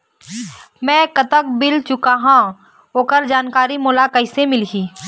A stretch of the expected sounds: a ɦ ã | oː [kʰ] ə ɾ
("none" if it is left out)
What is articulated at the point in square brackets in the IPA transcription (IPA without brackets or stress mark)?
k